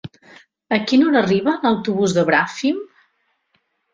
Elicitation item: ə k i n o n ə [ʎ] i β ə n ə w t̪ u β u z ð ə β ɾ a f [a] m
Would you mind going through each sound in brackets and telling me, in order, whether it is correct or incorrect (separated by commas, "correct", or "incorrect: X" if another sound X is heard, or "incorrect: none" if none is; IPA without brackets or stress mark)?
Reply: incorrect: r, incorrect: i